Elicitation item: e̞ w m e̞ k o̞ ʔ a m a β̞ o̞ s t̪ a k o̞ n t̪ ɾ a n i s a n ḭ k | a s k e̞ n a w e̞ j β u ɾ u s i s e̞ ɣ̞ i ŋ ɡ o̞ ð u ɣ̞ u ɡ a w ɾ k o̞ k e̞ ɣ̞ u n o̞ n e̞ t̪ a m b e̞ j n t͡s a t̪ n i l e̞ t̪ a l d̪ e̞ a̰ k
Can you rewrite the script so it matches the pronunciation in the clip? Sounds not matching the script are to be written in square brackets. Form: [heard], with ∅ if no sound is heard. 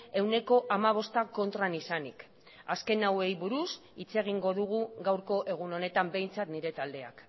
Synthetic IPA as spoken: e̞ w [n] e̞ k o̞ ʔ a m a β̞ o̞ s t̪ a k o̞ n t̪ ɾ a n i s a n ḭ k | a s k e̞ n a w e̞ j β u ɾ u s i [t͡s] e̞ ɣ̞ i ŋ ɡ o̞ ð u ɣ̞ u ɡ a w ɾ k o̞ [ʔ] e̞ ɣ̞ u n o̞ n e̞ t̪ a m b e̞ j n t͡s a t̪ n i [ɾ] e̞ t̪ a l d̪ e̞ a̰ k